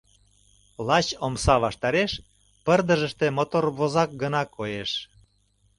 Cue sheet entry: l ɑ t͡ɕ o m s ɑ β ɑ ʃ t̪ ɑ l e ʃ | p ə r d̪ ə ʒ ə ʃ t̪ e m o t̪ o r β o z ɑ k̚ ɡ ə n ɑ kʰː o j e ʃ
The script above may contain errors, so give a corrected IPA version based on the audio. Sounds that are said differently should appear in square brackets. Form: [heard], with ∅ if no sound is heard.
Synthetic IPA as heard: l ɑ t͡ɕ o m s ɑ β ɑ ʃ t̪ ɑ [ɾ] e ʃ | p ə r d̪ ə ʒ ə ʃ t̪ e m o t̪ o r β o z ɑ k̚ ɡ ə n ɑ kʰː o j e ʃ